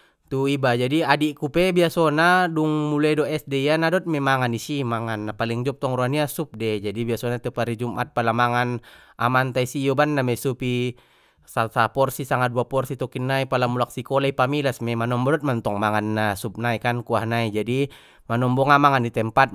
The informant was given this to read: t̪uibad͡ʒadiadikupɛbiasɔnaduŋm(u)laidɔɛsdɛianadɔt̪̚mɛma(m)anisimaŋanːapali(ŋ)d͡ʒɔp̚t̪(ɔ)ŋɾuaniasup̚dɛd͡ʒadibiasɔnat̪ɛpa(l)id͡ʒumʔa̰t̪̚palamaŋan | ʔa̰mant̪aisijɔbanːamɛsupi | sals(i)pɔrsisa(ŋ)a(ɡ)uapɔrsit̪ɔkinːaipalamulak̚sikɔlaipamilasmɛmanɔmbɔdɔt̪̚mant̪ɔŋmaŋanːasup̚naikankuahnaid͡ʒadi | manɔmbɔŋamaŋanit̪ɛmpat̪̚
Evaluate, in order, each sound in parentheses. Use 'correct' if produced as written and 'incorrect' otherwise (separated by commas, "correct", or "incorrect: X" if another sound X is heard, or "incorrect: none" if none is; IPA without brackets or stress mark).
correct, incorrect: ŋ, correct, correct, incorrect: ɾ, incorrect: a, correct, incorrect: d